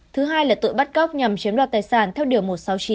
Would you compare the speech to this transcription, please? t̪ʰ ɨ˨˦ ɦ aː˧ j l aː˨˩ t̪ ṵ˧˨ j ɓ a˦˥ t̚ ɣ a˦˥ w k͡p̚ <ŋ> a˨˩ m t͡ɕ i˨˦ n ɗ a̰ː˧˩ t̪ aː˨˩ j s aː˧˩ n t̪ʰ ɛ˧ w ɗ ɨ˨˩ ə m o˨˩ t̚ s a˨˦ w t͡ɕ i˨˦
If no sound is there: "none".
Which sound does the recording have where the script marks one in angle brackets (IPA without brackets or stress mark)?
ɲ